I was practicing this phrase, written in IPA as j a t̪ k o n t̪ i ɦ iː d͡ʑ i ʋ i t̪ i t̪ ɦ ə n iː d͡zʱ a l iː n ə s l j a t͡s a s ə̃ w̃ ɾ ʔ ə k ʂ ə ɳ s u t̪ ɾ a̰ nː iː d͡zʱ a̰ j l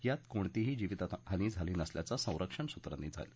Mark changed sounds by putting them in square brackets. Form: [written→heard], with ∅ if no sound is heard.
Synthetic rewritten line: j a t̪ k o [n→ɳ] t̪ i ɦ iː d͡ʑ i ʋ i t̪ [i→a] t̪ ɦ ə n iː d͡zʱ a l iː n ə s l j a t͡s a s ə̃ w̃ ɾ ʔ ə k ʂ ə ɳ s u t̪ ɾ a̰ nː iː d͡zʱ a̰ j l